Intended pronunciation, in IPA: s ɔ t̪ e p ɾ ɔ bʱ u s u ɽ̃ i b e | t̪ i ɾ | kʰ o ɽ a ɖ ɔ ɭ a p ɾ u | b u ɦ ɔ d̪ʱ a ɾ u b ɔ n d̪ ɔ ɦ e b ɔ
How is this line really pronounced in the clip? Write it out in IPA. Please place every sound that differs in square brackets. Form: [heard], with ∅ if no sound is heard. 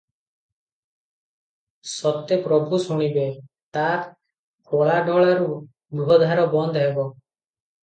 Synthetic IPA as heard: s ɔ t̪ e p ɾ ɔ bʱ u s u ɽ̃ i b e | t̪ [a] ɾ | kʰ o [ɭ] a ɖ ɔ ɭ a [∅] ɾ u | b u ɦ ɔ d̪ʱ a ɾ [ɔ] b ɔ n d̪ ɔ ɦ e b ɔ